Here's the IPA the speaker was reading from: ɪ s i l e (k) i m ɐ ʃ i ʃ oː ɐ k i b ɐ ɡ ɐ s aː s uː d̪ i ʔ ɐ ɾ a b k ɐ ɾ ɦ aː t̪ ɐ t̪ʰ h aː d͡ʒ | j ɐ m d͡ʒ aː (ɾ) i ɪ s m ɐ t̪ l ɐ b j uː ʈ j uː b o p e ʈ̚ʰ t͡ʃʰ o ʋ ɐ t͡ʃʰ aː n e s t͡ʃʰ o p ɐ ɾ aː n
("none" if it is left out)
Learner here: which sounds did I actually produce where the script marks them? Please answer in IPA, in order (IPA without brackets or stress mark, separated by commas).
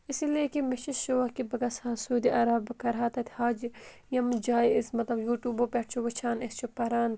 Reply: k, none